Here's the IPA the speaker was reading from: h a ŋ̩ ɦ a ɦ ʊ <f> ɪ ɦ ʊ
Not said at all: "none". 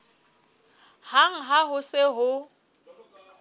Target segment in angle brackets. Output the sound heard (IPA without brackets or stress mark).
s